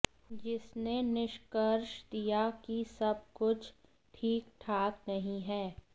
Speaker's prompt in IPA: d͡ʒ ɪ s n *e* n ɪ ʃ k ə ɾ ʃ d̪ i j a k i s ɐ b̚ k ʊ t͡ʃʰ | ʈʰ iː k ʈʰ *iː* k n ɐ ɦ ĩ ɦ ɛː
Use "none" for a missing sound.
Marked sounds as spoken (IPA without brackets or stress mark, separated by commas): e, aː